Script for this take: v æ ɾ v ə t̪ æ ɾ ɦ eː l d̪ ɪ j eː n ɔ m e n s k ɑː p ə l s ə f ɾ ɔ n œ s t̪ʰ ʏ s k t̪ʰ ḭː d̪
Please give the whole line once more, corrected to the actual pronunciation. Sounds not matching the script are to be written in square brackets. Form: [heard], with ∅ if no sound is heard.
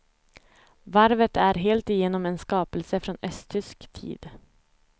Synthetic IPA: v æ ɾ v ə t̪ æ ɾ ɦ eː l [t̪] ɪ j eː n ɔ m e n s k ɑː p ə l s ə f ɾ ɔ n œ s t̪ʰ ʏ s k t̪ʰ ḭː d̪